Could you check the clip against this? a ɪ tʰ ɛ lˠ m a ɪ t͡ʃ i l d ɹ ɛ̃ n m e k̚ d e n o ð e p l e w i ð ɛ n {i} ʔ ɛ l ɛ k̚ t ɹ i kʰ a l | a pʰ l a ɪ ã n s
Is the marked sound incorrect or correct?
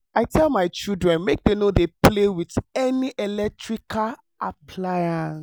correct